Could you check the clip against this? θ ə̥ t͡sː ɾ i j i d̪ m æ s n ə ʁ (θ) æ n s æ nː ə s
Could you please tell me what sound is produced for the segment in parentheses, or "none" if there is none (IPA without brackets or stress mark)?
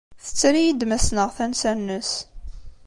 θ